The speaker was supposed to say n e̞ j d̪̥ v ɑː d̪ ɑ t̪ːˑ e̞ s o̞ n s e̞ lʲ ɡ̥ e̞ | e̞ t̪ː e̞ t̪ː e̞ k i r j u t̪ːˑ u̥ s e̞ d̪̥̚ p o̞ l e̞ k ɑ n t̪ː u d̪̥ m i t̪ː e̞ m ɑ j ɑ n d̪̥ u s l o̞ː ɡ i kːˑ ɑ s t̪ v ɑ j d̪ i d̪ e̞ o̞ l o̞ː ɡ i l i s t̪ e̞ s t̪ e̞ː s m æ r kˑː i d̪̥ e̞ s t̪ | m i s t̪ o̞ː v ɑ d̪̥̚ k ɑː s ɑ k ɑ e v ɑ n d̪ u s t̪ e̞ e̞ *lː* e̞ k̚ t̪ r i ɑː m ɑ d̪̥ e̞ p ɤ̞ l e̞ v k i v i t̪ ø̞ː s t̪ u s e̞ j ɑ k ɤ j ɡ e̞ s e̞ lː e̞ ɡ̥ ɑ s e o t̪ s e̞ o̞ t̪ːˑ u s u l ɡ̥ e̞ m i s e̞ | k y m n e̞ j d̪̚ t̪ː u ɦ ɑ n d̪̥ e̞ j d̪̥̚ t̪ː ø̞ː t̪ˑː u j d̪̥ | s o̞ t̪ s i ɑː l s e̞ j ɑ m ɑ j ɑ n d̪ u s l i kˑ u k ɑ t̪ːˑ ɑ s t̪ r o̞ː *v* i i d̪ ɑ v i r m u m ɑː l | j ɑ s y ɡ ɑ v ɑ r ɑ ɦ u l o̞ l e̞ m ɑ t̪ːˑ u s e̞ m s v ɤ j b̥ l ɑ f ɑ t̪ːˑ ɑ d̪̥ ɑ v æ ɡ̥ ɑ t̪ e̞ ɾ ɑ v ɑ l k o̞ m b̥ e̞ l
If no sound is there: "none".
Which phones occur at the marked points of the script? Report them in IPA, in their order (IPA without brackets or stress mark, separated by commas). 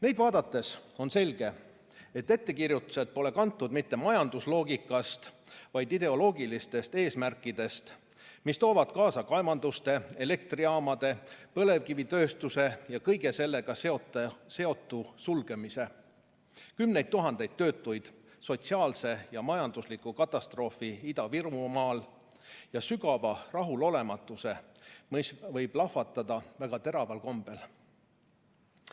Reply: l, f